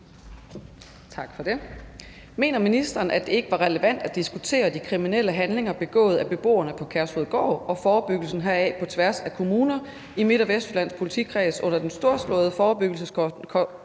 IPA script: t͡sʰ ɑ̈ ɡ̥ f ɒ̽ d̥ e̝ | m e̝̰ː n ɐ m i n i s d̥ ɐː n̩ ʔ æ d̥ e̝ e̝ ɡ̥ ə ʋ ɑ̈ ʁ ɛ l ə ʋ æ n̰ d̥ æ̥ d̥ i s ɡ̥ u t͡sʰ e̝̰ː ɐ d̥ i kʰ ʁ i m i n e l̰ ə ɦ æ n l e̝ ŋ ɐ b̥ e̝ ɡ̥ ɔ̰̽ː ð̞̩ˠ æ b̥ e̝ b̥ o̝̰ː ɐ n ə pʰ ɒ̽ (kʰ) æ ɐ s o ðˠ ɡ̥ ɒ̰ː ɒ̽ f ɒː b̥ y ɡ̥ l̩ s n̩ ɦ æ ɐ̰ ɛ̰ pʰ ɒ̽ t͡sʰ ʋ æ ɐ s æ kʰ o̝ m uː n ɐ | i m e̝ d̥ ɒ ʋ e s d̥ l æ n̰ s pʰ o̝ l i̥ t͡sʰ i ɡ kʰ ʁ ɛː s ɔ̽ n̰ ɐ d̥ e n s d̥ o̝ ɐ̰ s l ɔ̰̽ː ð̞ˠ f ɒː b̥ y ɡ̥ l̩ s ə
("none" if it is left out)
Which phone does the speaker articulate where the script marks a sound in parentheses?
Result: kʰ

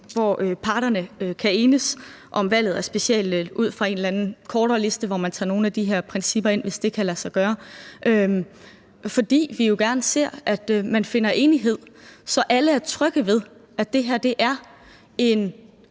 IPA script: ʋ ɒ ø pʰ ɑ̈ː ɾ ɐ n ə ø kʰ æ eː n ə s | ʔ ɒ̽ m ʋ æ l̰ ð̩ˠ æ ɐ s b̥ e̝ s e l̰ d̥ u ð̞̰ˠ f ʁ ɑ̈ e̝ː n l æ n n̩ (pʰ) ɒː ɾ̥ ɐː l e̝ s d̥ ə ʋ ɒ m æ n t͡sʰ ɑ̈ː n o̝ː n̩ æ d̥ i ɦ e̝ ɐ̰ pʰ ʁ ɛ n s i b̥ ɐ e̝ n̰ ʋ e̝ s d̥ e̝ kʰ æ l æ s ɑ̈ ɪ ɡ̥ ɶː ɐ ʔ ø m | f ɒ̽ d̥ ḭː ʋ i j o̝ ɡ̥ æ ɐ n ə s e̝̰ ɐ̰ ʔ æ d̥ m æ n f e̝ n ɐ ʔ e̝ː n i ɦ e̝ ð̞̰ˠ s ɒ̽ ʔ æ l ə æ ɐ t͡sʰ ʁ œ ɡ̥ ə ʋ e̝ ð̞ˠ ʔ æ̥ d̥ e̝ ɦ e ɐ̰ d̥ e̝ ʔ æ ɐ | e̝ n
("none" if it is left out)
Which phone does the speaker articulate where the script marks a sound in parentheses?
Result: kʰ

